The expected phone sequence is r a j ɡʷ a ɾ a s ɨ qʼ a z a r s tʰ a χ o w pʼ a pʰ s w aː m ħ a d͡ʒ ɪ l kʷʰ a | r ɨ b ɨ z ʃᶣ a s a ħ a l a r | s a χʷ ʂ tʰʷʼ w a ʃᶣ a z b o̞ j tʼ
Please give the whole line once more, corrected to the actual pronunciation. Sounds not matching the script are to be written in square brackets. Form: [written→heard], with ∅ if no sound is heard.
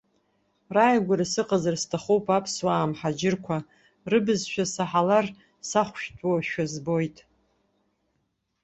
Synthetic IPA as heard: r a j ɡʷ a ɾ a s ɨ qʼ a z a r s tʰ a χ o w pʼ a pʰ s w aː m ħ a d͡ʒ ɪ [l→r] kʷʰ a | r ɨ b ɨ z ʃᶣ a s a ħ a l a r | s a χʷ [ʂ→ʃ] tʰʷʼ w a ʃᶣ a z b o̞ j tʼ